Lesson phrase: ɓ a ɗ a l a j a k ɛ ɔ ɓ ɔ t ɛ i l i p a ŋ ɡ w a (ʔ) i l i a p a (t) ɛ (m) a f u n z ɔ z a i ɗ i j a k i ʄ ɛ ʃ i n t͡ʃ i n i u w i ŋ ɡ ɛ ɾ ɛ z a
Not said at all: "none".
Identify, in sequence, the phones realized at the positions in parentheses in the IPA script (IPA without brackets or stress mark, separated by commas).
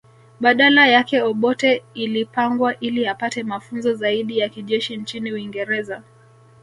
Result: ʔ, t, m